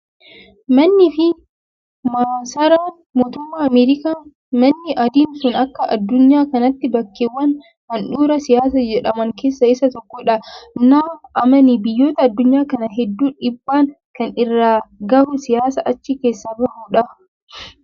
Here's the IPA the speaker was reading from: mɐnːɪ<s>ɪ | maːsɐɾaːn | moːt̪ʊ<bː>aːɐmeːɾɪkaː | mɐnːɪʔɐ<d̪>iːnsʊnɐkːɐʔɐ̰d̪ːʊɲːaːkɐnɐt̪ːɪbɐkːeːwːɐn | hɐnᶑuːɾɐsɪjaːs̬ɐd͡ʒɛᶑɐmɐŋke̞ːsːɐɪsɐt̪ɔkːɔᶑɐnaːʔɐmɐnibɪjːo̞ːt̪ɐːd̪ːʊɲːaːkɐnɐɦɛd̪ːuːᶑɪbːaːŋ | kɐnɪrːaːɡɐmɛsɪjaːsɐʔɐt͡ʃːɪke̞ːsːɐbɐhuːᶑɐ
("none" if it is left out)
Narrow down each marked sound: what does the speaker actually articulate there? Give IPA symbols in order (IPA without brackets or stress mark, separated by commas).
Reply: f, mː, d̪